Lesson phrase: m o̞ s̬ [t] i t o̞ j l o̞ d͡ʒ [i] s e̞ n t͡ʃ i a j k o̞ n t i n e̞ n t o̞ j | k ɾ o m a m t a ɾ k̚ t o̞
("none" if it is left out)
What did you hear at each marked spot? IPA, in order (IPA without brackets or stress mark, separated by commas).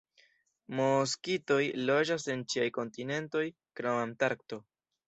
k, a